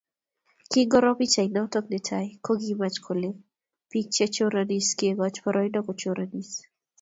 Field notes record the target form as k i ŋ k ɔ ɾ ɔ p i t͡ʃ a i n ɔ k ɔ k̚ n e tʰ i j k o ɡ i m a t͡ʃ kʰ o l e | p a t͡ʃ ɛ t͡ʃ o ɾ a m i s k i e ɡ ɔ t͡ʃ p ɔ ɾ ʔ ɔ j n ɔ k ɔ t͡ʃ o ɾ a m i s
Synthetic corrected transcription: k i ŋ ɡ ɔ ɾ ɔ p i t͡ʃ a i n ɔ t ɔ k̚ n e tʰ a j k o ɡ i m a t͡ʃ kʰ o l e | p i t͡ʃ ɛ t͡ʃ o ɾ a n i s k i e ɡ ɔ t͡ʃ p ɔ ɾ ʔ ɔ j n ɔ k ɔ t͡ʃ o ɾ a n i s